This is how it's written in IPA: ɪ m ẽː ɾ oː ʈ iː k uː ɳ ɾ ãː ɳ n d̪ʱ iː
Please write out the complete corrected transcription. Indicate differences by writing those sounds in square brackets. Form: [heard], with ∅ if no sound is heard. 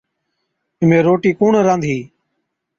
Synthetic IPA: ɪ m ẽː ɾ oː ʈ iː k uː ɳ ɾ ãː [∅] n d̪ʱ iː